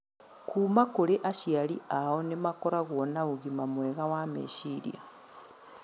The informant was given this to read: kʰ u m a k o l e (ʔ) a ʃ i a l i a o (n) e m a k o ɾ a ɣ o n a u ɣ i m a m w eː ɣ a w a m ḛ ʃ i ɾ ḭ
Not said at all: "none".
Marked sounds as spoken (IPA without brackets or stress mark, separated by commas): ʔ, n